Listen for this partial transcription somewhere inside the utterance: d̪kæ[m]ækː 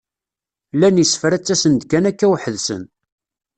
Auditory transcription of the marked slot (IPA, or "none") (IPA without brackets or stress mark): n